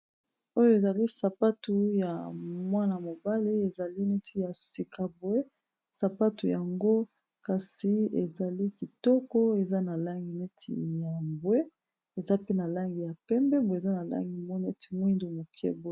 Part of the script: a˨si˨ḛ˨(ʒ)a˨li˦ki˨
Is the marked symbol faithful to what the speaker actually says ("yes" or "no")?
no